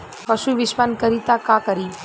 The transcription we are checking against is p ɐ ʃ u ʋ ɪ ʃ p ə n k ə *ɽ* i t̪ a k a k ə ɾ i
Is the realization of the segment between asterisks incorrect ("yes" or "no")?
yes